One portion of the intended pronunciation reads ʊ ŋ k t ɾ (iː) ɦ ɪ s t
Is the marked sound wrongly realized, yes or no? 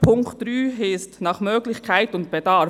yes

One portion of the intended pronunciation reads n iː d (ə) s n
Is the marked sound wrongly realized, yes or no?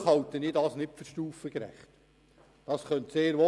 yes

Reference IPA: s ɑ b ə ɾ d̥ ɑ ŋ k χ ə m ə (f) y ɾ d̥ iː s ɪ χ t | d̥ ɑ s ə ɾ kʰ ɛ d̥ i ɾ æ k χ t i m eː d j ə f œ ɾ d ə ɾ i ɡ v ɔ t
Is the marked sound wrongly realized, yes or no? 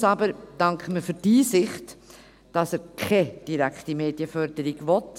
no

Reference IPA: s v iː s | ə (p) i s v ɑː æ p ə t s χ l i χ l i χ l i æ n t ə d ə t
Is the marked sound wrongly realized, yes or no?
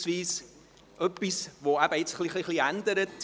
no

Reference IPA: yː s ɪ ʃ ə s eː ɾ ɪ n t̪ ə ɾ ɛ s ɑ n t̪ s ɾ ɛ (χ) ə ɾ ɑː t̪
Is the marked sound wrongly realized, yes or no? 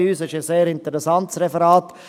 yes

